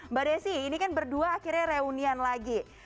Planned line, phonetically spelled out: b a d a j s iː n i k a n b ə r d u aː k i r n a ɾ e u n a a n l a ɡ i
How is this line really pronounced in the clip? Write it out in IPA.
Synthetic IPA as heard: b a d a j s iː n i k a n b ə r d u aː k i r ɲ a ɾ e u n i a n l a ɡ i